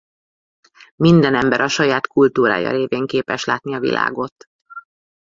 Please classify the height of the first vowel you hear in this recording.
high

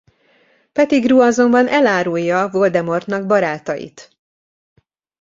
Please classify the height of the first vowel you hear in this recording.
mid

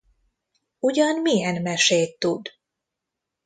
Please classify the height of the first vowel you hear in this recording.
high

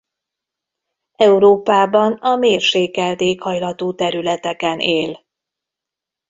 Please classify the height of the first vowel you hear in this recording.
mid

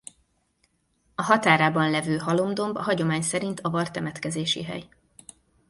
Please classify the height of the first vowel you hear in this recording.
low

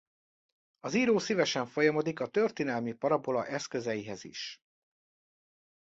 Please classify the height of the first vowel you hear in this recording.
low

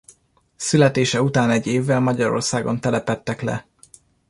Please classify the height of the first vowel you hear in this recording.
high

